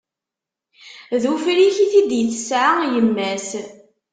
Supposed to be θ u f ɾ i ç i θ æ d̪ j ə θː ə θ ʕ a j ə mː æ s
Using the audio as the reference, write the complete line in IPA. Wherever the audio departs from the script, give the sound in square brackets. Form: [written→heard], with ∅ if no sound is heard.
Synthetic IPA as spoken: [θ→ð] u f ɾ i ç i θ [æ→i] d̪ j ə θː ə [θ→s] ʕ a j ə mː æ s